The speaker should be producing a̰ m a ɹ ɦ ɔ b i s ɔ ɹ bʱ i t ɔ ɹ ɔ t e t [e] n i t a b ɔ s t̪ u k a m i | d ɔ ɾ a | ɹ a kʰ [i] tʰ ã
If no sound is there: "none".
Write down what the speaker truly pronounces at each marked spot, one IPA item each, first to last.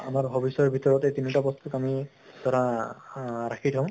i, i

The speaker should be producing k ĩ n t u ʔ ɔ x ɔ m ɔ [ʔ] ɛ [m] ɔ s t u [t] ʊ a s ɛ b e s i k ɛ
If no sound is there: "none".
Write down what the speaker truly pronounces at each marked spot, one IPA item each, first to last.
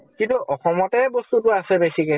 t, b, t

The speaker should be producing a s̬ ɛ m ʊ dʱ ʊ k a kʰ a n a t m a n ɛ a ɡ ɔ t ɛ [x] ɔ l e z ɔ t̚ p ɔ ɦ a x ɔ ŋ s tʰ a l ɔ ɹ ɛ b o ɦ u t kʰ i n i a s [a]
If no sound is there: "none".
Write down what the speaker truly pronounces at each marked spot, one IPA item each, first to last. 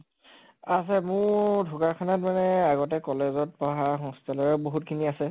k, ɛ

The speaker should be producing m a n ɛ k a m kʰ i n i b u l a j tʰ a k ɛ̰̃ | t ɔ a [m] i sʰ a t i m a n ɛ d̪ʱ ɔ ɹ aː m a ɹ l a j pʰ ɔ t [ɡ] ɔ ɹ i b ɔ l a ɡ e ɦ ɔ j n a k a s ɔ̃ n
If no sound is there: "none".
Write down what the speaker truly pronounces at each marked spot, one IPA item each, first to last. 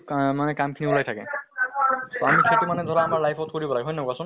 m, k

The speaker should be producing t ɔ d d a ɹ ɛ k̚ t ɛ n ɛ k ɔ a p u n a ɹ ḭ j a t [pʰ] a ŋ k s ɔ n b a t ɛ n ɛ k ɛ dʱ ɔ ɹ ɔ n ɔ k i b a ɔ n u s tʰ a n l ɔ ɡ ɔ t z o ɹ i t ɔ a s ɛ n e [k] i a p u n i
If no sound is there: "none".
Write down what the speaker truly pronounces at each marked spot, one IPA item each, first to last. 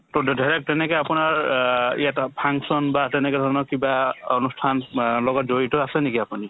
pʰ, k

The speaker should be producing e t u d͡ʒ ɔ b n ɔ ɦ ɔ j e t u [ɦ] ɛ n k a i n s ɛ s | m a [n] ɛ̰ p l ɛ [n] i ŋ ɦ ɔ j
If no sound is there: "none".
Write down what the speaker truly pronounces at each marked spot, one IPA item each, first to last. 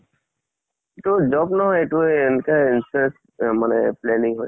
none, n, n

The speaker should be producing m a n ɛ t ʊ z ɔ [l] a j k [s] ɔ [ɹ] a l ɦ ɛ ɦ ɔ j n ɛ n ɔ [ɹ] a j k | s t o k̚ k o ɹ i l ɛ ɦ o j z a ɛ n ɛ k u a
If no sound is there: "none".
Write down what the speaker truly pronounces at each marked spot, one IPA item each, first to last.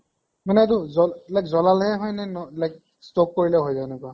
l, z, l, l

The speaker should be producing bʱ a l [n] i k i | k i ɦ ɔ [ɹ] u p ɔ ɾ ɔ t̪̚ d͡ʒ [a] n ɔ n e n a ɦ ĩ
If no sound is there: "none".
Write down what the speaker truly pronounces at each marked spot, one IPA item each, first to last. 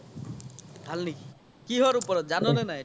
n, ɾ, a

